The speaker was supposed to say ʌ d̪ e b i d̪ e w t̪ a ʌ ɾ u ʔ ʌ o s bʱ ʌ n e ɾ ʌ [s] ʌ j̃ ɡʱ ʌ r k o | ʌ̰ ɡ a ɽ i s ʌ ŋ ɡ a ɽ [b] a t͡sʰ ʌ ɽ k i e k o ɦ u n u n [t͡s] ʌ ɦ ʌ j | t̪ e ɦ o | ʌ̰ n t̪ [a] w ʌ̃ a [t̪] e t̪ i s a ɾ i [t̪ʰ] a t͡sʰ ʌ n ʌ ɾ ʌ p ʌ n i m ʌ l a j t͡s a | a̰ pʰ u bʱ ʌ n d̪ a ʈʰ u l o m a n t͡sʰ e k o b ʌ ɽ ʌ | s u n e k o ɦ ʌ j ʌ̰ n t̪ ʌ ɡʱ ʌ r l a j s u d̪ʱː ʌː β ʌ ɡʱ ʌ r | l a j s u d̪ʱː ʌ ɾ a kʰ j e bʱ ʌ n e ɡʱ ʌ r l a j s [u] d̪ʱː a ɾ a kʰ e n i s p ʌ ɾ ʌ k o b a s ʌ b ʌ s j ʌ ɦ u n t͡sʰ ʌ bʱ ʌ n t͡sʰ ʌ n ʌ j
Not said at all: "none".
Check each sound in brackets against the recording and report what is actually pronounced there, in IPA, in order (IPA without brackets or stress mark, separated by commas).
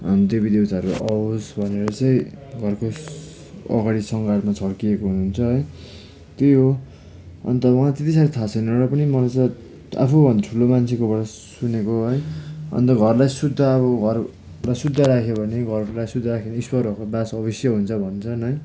t͡s, m, t͡sʰ, ʌ, t̪, t̪ʰ, u